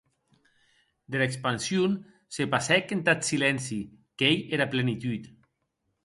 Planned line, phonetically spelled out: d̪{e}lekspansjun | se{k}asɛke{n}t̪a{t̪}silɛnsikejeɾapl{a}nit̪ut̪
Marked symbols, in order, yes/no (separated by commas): yes, no, yes, yes, no